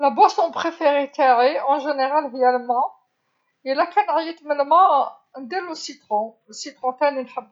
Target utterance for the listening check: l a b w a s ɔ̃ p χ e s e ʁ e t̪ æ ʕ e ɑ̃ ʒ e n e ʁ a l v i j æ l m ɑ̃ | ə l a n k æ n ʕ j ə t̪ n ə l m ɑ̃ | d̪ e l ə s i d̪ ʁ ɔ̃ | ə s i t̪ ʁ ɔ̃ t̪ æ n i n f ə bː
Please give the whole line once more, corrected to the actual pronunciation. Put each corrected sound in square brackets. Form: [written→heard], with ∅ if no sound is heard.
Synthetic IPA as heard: l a b w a s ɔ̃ p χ e [s→f] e ʁ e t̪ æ ʕ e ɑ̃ ʒ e n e ʁ a l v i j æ l m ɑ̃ | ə l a [n→∅] k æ n ʕ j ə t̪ [n→m] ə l m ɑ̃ | d̪ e l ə s i [d̪→t̪] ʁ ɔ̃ | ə s i t̪ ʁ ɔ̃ t̪ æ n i n [f→ħ] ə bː